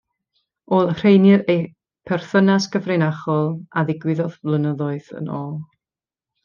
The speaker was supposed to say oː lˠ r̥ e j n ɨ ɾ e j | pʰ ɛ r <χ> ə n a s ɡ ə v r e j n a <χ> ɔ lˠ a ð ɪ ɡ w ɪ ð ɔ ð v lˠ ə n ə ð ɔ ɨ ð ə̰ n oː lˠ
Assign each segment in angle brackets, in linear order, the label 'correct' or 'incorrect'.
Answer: incorrect: θ, correct

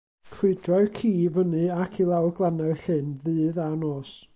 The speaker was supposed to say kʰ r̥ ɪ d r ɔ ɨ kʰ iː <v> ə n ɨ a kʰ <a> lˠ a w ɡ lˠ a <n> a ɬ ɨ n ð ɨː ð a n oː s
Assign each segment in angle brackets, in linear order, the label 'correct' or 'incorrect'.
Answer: correct, incorrect: i, correct

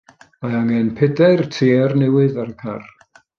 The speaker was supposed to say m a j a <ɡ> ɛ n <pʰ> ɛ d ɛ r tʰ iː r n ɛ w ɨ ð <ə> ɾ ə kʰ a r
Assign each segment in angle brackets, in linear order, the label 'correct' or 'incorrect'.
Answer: incorrect: ŋ, correct, incorrect: a

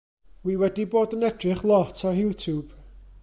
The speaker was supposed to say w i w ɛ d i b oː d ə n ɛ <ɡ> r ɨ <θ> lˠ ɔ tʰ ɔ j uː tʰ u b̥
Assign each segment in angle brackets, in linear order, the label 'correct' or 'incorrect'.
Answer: incorrect: d, incorrect: χ

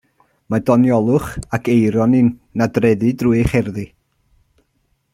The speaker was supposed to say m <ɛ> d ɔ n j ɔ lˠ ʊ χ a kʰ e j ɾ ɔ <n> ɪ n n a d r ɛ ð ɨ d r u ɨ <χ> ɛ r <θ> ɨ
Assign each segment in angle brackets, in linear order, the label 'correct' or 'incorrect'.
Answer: incorrect: a, correct, correct, incorrect: ð

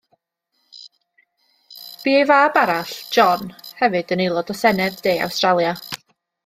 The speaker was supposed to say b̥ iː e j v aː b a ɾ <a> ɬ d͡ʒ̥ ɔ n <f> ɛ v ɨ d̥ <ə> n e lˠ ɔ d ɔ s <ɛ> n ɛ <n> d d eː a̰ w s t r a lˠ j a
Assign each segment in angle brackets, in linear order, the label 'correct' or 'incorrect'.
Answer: correct, incorrect: h, correct, correct, incorrect: none

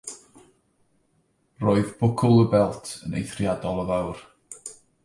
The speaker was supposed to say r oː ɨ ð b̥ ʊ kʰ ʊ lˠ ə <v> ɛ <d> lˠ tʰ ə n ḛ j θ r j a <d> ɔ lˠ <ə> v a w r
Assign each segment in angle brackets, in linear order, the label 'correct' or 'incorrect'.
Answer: incorrect: b, incorrect: none, correct, correct

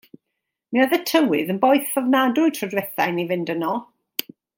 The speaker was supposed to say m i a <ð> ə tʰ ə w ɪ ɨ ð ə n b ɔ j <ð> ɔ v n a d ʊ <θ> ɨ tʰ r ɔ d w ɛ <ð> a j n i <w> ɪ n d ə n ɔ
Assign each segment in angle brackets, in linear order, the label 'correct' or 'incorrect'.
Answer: correct, incorrect: θ, incorrect: none, incorrect: θ, incorrect: v

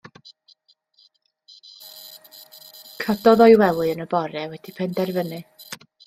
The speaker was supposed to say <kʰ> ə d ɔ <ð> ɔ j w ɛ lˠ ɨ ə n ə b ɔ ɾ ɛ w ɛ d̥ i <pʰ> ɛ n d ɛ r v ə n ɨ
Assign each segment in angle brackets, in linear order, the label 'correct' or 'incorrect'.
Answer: correct, correct, correct

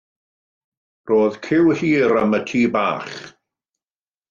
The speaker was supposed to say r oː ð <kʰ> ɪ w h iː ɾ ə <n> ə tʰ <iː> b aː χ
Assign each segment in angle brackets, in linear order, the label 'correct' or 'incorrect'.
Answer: correct, incorrect: m, correct

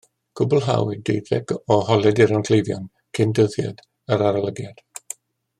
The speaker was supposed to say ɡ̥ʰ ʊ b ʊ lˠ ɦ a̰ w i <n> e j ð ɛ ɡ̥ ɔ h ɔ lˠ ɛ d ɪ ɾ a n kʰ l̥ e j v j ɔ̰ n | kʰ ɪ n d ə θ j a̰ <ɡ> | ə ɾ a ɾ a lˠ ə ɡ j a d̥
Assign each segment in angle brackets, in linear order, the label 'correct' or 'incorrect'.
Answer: incorrect: d, incorrect: d

